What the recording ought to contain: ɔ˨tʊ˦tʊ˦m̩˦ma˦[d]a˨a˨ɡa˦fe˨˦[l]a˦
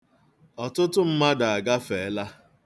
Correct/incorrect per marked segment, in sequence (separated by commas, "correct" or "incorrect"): correct, correct